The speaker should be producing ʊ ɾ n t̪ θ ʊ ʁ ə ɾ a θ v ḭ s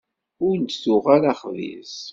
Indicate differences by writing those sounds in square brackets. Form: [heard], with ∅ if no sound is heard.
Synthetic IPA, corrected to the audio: ʊ ɾ n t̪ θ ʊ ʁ [a] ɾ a [χ] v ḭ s